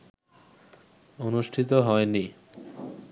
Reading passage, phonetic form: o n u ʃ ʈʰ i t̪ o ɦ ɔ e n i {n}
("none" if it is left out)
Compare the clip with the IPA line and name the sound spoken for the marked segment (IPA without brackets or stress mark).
none